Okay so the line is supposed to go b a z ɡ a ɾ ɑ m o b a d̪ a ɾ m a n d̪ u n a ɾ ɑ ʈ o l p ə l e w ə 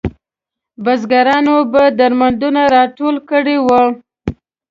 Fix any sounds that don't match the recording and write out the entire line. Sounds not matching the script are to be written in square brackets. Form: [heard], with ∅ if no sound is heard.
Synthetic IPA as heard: b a z ɡ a ɾ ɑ [n] o b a d̪ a ɾ m a n d̪ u n a ɾ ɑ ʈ o l [k] ə [ɽ] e w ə